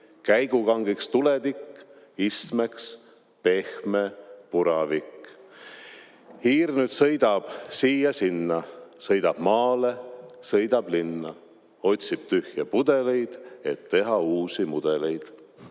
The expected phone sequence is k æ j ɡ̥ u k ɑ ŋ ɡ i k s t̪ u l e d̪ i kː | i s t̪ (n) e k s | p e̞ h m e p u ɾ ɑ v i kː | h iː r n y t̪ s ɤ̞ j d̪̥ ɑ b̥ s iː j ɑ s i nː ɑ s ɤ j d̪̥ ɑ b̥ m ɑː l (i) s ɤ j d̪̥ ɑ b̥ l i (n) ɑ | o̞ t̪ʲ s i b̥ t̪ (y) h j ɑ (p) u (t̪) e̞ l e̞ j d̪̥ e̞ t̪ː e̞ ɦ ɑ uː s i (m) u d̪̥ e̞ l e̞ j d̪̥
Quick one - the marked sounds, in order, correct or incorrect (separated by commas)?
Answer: incorrect, incorrect, incorrect, correct, correct, incorrect, correct